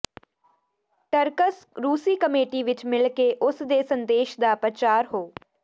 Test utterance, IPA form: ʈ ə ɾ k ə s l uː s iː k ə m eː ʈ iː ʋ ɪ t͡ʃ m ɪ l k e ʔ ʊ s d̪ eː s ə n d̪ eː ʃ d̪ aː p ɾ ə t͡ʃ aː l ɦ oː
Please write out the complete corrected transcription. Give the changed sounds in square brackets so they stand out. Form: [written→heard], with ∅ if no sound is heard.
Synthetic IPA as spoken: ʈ ə ɾ k ə s [l→ɾ] uː s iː k ə m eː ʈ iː ʋ ɪ t͡ʃ m ɪ l k e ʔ ʊ s d̪ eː s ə n d̪ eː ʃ d̪ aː p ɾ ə t͡ʃ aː [l→ɾ] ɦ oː